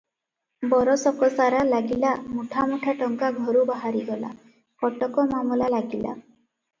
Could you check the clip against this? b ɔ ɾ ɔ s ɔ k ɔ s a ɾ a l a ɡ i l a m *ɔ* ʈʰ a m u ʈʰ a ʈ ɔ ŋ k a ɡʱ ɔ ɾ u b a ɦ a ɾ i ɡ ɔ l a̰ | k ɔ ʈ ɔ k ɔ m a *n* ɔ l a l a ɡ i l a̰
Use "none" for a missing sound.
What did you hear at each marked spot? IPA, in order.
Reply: u, m

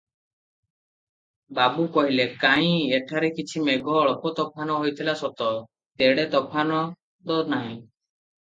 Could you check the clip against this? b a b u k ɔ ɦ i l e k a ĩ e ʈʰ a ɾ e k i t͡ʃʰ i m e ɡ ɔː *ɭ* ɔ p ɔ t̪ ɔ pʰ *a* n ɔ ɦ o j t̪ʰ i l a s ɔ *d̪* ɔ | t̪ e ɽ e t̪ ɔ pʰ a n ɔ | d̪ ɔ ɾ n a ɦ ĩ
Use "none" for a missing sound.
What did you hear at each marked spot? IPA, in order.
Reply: ɭ, a, t̪

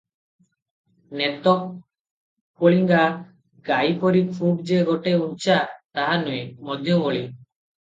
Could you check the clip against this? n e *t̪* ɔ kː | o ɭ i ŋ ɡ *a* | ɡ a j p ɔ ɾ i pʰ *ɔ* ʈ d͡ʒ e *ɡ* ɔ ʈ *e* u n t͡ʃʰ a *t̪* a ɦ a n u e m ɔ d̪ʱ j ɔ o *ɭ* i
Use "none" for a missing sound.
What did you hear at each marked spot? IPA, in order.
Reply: t̪, a, u, ɡ, e, t̪, ɭ

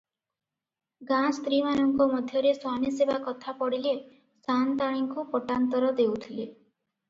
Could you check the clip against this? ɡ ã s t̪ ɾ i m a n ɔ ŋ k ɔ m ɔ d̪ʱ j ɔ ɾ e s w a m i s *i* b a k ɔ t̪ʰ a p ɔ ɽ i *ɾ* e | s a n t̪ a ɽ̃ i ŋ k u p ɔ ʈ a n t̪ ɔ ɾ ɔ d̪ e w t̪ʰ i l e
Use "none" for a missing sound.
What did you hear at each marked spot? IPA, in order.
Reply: e, l

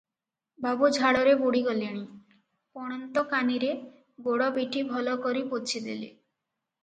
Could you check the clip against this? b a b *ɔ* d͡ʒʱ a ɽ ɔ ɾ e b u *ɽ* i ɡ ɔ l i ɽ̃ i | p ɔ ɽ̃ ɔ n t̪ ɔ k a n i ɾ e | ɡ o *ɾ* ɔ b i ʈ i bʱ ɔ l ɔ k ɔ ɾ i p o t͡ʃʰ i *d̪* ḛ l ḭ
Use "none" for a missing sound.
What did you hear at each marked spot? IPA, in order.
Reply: u, ɽ, ɽ, d̪

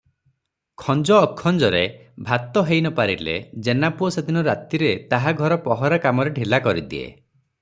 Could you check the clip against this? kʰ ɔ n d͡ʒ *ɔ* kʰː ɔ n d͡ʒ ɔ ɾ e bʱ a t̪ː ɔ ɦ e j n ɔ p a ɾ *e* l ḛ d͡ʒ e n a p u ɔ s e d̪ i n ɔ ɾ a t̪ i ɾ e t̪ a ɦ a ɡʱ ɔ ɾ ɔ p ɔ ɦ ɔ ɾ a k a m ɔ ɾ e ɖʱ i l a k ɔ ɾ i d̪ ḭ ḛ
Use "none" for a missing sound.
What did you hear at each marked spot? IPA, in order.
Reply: ɔː, i

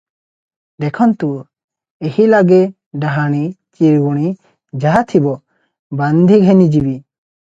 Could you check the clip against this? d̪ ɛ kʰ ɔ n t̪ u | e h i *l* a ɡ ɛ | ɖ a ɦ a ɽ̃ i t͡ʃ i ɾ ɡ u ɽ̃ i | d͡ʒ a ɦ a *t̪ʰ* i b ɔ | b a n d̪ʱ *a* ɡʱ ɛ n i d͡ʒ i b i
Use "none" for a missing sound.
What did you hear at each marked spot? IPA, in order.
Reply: l, t̪ʰ, i

